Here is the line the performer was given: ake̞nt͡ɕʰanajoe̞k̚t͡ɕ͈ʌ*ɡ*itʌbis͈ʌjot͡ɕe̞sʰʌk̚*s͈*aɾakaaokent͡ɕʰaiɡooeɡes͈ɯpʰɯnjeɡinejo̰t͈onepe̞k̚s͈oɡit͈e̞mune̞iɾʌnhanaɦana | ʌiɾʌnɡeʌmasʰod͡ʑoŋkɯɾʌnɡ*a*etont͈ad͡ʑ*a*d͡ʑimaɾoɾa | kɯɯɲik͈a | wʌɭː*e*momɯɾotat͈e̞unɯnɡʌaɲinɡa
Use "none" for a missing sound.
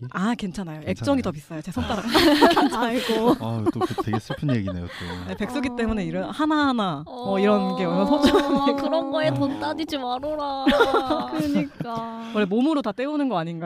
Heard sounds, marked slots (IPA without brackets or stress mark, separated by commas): ŋ, t͈, ʌ, i, e